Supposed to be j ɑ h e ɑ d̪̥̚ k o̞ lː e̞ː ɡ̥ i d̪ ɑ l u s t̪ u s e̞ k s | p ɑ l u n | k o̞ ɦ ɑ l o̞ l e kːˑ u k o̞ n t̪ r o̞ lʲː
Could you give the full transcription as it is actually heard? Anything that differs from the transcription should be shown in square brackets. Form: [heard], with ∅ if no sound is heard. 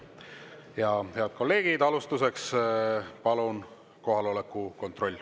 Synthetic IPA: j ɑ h e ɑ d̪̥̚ k o̞ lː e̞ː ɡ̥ i d̪ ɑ l u s t̪ u s e̞ k s | p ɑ l u n | k o̞ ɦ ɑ l o̞ l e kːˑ u k o̞ n t̪ r o̞ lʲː